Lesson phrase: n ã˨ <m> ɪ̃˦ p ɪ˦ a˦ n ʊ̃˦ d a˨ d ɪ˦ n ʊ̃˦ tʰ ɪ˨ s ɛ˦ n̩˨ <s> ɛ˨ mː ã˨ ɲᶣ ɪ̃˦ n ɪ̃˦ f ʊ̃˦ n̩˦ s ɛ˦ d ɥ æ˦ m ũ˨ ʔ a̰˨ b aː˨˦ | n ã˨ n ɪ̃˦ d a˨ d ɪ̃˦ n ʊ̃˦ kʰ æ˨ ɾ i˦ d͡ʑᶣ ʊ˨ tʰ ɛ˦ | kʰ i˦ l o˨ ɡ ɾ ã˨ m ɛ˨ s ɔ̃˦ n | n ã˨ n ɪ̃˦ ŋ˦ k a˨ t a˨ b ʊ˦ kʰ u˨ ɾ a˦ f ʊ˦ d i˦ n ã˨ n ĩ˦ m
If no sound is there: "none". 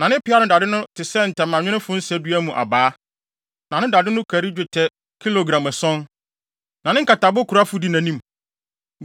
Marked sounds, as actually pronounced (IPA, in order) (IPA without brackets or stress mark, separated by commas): n, t